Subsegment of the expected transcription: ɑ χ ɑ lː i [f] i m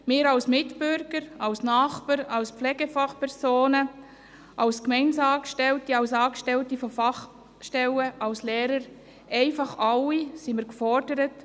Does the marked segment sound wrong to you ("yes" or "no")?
yes